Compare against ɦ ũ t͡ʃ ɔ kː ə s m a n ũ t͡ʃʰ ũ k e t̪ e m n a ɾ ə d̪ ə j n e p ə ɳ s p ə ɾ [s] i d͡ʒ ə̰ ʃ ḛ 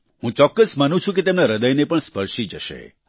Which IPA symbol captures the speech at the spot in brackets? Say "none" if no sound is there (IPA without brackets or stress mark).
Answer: ʃ